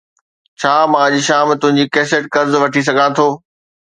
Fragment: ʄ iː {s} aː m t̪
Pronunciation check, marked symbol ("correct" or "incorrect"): incorrect